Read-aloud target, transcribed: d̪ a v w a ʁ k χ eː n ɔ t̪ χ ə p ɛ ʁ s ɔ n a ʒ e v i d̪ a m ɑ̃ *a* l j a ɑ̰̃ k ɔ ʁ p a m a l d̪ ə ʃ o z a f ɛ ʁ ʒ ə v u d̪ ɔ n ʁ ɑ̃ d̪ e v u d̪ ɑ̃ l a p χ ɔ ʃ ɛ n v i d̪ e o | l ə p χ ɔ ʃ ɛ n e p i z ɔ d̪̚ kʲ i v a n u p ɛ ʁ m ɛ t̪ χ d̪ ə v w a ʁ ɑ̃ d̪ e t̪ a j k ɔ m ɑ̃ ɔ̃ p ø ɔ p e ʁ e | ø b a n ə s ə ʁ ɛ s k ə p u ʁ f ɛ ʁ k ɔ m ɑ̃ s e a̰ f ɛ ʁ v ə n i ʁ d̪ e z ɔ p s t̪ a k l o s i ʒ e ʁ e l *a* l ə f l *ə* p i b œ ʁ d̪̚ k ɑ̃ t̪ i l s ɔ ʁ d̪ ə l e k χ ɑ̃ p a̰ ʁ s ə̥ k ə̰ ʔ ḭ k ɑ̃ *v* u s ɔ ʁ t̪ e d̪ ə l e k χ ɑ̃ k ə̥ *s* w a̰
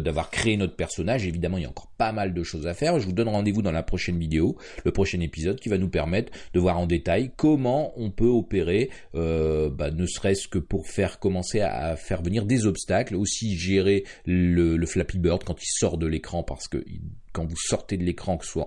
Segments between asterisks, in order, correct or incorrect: incorrect: i, incorrect: ə, incorrect: a, correct, correct

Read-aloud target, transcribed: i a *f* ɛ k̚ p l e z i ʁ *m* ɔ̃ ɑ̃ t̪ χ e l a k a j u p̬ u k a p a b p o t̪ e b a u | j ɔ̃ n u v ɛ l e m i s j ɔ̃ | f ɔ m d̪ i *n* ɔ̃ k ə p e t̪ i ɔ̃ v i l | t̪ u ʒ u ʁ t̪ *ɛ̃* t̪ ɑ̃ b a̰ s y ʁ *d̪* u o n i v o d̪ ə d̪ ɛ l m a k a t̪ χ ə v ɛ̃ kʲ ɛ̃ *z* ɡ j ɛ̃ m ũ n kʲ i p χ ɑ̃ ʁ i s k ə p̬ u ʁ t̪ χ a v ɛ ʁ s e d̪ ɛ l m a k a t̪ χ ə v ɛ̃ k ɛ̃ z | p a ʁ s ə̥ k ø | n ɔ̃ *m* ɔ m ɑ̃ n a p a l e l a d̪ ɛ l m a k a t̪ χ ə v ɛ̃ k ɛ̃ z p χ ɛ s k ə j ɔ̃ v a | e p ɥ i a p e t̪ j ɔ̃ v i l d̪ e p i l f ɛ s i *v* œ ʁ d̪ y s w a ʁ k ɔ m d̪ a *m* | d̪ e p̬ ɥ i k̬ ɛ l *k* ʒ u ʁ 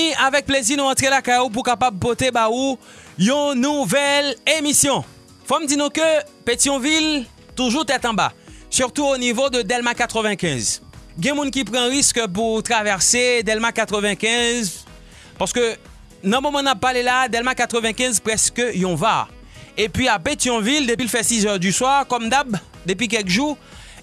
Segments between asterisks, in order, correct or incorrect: incorrect: v, incorrect: n, correct, incorrect: ɛ, incorrect: t̪, correct, correct, incorrect: z, incorrect: b, correct

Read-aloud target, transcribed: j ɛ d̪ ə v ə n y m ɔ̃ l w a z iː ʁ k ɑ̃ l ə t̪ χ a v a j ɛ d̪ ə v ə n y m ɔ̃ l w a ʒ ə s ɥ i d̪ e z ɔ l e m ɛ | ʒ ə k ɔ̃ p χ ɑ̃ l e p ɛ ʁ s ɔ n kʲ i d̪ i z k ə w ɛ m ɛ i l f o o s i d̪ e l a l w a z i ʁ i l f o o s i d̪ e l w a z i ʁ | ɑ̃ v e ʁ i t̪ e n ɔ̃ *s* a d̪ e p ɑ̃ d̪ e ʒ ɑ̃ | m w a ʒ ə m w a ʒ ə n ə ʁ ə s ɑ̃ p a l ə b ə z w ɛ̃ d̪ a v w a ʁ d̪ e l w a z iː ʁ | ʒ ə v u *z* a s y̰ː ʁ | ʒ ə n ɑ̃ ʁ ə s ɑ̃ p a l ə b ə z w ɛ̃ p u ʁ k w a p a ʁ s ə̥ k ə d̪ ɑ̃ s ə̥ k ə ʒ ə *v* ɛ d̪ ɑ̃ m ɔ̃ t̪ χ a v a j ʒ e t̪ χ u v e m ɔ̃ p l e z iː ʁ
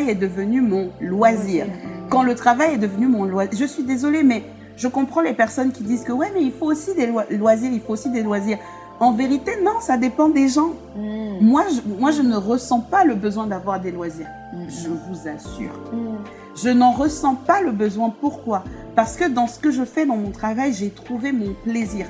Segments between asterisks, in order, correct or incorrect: correct, correct, incorrect: f

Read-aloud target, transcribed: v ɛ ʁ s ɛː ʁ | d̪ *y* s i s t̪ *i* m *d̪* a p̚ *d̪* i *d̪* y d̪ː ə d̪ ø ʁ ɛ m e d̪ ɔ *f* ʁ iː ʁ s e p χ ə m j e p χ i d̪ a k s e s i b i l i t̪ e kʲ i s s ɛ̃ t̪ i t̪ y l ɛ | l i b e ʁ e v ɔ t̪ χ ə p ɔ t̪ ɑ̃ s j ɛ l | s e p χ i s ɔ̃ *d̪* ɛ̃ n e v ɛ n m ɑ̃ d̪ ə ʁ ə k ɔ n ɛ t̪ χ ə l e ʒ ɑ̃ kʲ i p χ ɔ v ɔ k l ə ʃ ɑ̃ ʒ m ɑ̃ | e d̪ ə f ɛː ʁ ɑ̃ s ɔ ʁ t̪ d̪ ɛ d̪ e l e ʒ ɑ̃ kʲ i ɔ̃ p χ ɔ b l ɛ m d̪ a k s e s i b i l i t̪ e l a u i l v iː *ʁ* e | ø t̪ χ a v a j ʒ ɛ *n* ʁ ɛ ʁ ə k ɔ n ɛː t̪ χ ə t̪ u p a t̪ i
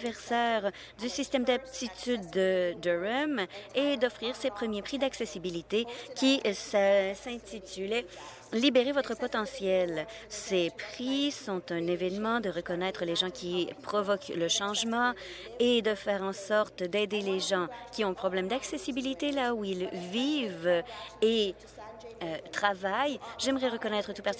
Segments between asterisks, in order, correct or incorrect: correct, incorrect: ɛ, correct, incorrect: t̪, incorrect: t̪, correct, incorrect: t̪, incorrect: v, incorrect: m

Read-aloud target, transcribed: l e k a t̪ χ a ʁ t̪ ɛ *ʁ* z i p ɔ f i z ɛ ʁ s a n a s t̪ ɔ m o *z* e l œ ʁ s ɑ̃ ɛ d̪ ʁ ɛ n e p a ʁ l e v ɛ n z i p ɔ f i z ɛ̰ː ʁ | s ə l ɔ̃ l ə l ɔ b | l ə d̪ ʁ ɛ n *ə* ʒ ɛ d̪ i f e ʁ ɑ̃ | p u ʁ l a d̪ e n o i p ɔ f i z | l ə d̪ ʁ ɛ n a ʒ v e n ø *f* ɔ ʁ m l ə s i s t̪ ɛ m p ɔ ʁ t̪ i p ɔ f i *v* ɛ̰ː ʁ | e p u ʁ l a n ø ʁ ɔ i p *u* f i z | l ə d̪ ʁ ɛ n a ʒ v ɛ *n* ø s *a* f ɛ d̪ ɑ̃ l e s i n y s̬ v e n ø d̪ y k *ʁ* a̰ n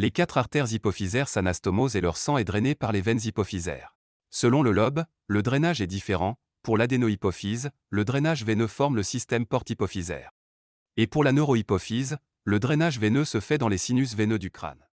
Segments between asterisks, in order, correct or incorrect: correct, correct, incorrect: a, correct, incorrect: z, incorrect: ɔ, correct, incorrect: ə, incorrect: χ

